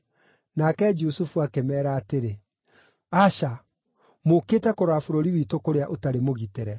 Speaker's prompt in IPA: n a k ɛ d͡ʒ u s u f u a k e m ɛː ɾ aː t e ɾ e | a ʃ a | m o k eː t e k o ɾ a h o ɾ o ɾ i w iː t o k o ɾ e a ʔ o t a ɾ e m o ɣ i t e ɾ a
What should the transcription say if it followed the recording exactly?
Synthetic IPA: n a k ɛ d͡ʒ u s u f u a k e m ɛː ɾ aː t e ɾ e | a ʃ a | m o k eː t ɛ k o ɾ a f o ɾ o ɾ i w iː t o k o ɾ e a ʔ o t a ɾ e m o ɣ i t e ɾ ɛ